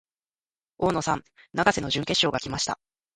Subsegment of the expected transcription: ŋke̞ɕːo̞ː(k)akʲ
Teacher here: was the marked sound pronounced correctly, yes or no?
no